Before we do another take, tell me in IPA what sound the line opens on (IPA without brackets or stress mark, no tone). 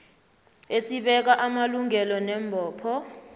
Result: e